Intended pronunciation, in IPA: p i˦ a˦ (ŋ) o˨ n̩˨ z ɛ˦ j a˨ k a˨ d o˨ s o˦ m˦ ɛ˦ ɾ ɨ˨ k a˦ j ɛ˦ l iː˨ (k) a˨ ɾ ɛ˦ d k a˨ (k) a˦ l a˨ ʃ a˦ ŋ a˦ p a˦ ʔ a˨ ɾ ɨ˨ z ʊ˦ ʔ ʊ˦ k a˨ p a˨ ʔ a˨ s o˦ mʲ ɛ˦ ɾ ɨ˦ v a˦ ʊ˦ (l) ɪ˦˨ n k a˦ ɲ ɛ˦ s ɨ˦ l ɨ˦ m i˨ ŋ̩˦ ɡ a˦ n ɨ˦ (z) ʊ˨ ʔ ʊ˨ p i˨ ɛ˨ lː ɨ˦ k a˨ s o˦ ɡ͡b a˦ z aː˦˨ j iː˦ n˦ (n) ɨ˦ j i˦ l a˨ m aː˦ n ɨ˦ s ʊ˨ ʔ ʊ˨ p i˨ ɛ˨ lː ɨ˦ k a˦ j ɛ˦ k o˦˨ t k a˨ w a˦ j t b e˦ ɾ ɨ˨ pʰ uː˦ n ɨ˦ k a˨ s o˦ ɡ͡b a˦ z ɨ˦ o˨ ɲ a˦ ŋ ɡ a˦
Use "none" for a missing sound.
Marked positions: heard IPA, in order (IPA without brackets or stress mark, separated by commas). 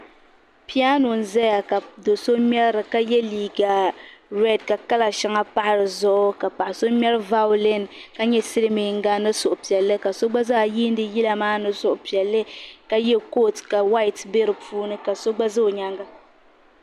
n, ɡ, k, l, s, d